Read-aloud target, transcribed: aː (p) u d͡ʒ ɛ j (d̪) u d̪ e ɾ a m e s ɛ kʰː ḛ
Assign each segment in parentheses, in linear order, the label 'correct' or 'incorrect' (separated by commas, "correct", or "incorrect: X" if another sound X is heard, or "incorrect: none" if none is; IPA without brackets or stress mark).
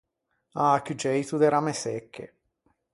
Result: incorrect: k, incorrect: t̪